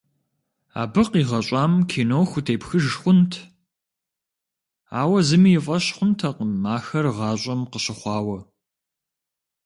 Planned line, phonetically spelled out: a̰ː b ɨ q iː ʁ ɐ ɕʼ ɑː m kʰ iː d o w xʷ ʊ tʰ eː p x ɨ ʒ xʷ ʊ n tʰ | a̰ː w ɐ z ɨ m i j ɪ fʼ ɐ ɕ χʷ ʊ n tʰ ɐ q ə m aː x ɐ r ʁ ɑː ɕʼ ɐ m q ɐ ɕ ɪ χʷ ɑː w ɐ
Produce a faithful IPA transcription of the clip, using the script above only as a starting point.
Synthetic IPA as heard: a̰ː b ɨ q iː ʁ ɐ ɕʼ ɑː m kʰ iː n o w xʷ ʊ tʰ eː p x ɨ ʒ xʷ ʊ n tʰ | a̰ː w ɐ z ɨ m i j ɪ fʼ ɐ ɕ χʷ ʊ n tʰ ɐ q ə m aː x ɐ r ʁ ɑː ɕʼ ɐ m q ə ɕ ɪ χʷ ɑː w ɐ